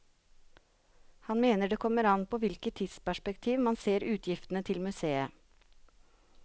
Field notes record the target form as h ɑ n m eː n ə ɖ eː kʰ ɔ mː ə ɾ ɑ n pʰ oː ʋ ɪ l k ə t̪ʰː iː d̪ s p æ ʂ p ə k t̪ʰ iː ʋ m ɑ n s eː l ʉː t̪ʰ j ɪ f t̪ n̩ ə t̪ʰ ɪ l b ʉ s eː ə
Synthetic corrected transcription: h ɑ n m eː n ə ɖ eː kʰ ɔ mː ə ɾ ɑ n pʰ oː ʋ ɪ l k ə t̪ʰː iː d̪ s p æ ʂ p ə k t̪ʰ iː ʋ m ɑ n s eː ɾ ʉː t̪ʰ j ɪ f t̪ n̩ ə t̪ʰ ɪ l m ʉ s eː ə